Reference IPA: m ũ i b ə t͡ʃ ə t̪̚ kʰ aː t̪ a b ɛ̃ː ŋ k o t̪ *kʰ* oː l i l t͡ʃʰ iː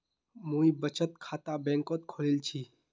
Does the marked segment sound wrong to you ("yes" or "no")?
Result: no